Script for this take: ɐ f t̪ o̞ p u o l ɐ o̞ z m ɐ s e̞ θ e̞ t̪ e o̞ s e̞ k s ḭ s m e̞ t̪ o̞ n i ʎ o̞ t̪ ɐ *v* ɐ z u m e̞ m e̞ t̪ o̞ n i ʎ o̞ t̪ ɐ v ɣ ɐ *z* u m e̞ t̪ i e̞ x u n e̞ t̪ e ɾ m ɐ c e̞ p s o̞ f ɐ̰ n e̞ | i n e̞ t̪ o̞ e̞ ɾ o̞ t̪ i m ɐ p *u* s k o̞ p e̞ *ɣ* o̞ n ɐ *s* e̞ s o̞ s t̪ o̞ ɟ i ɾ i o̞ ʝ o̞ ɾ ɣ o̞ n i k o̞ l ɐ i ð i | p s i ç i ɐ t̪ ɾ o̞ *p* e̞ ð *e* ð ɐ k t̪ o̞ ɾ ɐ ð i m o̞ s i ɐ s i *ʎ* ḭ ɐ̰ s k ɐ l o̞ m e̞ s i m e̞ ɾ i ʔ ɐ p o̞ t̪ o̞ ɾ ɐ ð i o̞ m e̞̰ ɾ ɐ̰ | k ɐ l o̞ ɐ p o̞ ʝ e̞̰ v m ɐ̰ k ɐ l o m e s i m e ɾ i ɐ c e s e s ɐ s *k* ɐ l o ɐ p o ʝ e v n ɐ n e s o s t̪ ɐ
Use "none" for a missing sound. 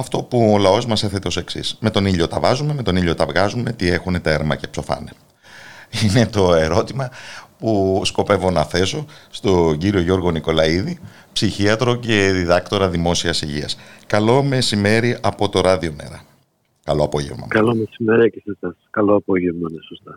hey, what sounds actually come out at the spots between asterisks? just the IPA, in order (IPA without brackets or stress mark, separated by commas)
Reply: v, z, u, v, θ, c, i, ʝ, k